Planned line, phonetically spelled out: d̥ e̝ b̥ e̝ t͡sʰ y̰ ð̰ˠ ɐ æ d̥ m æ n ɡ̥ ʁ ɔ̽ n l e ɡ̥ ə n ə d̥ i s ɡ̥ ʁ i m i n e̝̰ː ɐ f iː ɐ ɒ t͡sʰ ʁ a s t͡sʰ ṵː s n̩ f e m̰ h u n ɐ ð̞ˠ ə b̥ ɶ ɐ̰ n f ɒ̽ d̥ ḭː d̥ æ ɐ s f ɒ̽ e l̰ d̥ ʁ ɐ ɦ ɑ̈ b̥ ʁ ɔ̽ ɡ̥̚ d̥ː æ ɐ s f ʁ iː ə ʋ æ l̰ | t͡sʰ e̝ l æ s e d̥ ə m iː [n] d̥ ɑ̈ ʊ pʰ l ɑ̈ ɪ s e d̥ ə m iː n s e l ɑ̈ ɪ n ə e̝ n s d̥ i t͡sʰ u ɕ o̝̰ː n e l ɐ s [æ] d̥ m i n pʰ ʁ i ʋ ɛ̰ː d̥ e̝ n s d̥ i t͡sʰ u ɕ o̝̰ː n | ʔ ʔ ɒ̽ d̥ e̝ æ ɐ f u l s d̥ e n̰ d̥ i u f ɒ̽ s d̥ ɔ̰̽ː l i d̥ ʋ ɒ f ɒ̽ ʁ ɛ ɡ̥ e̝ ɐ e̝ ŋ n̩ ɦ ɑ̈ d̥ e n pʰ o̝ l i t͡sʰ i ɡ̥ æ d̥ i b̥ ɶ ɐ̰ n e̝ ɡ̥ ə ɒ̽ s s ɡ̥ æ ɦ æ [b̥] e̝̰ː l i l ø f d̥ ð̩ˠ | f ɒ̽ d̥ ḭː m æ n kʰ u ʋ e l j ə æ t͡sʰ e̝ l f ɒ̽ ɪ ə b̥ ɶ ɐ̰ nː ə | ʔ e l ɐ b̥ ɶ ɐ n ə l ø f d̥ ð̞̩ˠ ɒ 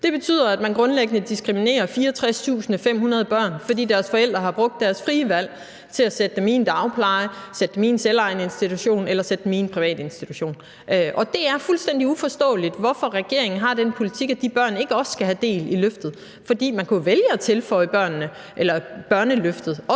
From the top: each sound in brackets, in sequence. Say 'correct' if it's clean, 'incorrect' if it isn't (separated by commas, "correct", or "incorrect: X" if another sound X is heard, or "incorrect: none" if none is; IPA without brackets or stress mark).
correct, incorrect: e, incorrect: d̥